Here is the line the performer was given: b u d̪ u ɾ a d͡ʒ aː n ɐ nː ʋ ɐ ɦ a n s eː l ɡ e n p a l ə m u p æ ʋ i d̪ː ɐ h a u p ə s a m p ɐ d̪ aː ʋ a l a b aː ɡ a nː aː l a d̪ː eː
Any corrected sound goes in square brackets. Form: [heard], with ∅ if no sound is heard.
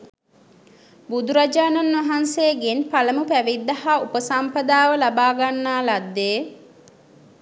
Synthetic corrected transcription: b u d̪ u ɾ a d͡ʒ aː n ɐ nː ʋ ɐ ɦ a n s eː [∅] ɡ e n p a l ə m u p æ ʋ i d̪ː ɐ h a u p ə s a m p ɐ d̪ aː ʋ [ə] l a b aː ɡ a nː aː l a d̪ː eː